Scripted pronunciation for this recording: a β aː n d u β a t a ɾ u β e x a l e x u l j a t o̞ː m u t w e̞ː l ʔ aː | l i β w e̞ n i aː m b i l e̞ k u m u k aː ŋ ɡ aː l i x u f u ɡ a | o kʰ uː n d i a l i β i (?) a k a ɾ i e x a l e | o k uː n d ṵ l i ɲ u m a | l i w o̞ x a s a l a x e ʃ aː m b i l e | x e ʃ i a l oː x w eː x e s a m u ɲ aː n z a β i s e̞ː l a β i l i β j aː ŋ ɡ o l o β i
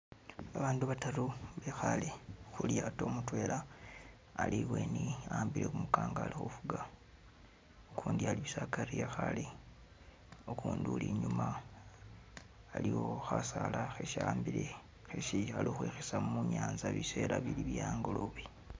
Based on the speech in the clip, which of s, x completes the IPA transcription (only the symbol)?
s